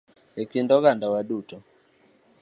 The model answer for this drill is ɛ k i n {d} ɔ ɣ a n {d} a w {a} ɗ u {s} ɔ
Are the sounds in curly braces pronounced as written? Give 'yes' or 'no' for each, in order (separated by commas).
yes, yes, yes, no